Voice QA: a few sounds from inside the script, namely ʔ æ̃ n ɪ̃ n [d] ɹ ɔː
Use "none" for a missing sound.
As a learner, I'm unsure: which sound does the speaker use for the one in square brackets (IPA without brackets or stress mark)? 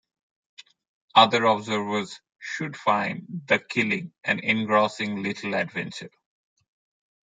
ɡ